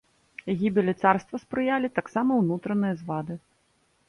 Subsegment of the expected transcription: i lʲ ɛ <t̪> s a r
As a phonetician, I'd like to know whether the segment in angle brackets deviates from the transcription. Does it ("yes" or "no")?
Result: no